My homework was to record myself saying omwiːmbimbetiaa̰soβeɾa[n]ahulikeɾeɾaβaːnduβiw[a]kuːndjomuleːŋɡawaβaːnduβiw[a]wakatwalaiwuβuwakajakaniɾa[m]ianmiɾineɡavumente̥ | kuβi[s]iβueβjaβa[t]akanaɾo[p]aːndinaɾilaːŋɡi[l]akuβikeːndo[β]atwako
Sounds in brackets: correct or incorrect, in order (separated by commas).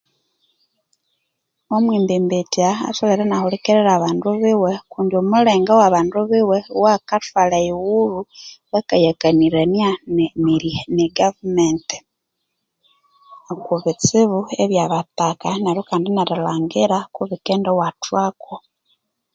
correct, incorrect, incorrect, incorrect, incorrect, correct, incorrect, incorrect, incorrect